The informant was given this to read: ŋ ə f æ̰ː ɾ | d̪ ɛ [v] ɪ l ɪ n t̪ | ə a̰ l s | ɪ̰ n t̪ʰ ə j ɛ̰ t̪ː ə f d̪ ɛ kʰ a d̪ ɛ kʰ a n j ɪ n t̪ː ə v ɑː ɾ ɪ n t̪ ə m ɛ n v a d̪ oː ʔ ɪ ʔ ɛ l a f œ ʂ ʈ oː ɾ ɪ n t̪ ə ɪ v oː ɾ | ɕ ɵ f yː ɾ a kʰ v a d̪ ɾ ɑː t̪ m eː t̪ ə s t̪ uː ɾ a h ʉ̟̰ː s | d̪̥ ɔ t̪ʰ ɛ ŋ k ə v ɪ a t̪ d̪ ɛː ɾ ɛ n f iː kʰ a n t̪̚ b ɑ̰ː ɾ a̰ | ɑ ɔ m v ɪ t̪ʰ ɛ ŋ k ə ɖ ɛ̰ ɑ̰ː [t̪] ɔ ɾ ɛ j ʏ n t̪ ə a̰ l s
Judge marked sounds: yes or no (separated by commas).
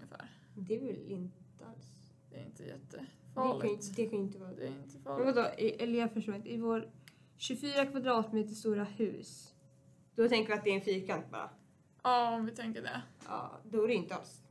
yes, no